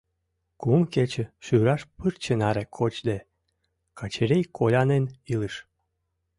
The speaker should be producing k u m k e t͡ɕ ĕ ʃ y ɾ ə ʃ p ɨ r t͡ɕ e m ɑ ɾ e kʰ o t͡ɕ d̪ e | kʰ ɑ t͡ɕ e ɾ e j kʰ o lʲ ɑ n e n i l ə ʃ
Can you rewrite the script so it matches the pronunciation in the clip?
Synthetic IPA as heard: k u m k e t͡ɕ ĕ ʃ y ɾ ɑ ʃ p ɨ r t͡ɕ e n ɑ ɾ e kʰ o t͡ɕ d̪ e | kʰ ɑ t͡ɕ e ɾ e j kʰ o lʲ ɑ n e n i l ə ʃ